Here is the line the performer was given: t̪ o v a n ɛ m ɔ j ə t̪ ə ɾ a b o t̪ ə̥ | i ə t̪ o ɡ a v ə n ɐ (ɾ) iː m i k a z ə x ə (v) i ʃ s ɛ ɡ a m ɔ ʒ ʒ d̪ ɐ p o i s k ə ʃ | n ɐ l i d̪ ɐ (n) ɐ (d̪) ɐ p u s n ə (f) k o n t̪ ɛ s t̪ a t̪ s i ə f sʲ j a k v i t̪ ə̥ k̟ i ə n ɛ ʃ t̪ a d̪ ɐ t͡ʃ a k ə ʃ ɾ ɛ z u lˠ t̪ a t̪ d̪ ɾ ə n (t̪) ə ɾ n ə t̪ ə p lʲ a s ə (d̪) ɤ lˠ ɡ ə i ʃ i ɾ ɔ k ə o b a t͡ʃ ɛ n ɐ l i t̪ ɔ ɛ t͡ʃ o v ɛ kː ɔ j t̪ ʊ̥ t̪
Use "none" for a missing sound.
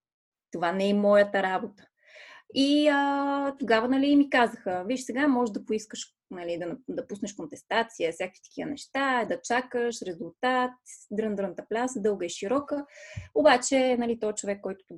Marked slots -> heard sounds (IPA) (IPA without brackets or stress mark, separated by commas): l, v, n, d̪, ʃ, d̪, d̪